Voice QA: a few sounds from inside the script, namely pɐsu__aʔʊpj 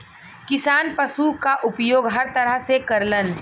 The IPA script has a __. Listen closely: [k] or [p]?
k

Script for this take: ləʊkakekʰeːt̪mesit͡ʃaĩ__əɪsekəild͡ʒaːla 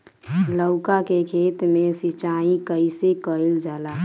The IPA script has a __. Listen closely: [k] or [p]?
k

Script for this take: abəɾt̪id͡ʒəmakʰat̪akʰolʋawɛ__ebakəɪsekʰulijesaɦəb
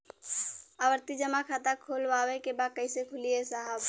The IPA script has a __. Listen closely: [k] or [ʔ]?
k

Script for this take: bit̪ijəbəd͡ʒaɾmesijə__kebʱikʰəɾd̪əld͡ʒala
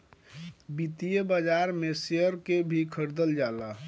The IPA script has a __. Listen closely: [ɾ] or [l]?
ɾ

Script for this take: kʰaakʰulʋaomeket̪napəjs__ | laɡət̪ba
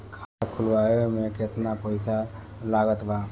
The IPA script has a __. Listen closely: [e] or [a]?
a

